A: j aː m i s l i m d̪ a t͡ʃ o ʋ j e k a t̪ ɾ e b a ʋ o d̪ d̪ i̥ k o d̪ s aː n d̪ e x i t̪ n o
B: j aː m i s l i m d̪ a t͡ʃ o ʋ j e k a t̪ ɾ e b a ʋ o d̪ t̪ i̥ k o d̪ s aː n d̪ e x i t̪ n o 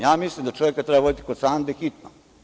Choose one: B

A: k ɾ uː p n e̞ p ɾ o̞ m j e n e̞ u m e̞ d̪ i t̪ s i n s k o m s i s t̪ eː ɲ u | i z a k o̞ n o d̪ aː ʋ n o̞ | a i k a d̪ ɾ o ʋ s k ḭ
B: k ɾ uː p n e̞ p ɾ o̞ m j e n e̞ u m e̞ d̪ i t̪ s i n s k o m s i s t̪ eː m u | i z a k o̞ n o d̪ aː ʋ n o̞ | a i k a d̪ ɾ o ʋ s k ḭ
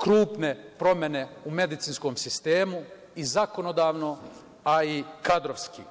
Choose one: B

